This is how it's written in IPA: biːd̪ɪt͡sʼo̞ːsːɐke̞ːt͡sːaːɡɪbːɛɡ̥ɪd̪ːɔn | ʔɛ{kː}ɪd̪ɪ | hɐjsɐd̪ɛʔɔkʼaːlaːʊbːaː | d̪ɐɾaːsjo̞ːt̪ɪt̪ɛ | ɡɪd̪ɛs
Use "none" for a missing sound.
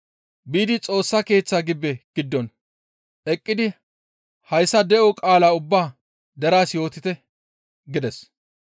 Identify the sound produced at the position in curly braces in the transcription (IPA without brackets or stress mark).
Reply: kʼː